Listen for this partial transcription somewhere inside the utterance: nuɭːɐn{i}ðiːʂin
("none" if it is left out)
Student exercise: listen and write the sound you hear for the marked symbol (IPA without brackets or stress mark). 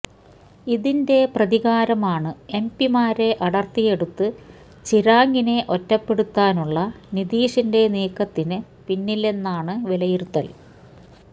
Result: i